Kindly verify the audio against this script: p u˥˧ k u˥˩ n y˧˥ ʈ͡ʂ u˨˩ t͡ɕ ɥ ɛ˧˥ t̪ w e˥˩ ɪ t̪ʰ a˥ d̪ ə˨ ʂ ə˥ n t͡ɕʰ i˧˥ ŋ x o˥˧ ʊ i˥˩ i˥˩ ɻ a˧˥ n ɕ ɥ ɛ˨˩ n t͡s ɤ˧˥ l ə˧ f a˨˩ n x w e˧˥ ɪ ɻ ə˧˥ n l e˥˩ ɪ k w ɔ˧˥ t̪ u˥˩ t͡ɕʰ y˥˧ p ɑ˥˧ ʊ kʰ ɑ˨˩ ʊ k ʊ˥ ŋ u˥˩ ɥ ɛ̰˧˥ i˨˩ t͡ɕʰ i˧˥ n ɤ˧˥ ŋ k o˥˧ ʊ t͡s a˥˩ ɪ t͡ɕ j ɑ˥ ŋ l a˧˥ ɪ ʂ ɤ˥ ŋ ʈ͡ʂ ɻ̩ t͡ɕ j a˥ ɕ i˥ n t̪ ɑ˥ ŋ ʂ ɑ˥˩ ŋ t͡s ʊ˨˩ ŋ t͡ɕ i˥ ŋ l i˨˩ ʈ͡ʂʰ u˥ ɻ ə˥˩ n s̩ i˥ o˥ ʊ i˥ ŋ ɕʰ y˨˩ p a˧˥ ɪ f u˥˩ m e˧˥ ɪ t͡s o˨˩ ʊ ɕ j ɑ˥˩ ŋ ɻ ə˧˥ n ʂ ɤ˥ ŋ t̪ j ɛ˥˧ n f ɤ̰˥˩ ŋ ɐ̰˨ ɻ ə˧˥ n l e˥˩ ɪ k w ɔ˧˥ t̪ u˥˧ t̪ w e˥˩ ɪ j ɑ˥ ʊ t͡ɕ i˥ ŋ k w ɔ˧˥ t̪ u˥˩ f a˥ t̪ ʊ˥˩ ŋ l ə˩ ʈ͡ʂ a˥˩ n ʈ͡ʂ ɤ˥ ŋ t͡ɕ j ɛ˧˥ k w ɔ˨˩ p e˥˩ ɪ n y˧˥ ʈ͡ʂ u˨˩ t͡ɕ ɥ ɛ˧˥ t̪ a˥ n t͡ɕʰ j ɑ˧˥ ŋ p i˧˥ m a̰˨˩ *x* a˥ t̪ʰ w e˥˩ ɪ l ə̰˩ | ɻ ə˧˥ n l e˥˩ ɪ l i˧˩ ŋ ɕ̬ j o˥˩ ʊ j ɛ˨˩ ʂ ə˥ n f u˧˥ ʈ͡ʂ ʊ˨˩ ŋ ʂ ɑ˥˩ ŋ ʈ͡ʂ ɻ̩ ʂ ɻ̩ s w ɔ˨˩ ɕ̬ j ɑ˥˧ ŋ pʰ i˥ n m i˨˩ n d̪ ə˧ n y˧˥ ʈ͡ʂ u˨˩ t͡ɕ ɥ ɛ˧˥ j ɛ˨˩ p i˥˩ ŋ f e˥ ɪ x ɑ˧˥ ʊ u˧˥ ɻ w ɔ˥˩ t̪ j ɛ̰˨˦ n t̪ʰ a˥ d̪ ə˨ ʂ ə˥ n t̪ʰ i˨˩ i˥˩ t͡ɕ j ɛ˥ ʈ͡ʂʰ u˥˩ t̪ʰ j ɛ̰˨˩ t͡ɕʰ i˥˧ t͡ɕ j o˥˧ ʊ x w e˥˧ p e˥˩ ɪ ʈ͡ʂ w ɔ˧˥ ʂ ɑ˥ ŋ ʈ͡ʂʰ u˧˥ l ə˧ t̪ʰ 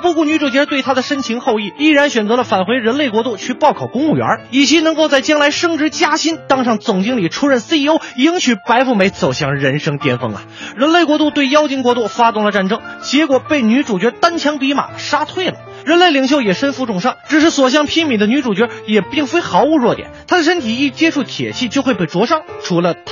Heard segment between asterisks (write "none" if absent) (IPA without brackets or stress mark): ʂ